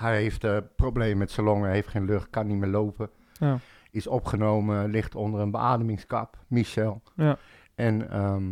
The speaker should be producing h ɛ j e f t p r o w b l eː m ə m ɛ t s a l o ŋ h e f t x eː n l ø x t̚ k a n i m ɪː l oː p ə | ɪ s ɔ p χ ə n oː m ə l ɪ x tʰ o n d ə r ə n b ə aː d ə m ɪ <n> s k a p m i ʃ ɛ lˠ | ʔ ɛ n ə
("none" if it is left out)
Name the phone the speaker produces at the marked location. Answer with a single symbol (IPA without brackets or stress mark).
ŋ